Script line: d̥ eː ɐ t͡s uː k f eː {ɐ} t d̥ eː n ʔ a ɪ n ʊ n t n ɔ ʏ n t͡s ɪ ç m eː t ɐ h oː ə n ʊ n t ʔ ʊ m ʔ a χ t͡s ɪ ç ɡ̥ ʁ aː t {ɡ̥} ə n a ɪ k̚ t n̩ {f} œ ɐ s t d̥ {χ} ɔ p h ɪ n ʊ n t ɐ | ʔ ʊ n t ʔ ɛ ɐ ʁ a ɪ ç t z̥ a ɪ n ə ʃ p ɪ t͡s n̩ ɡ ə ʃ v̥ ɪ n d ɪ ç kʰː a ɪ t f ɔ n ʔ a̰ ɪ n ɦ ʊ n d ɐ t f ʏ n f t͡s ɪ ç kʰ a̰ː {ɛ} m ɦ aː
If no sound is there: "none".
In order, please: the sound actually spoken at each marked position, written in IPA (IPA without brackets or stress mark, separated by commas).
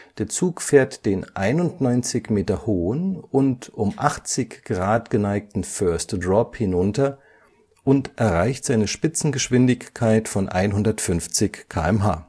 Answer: ɐ, ɡ̥, f, ʁ, ɛ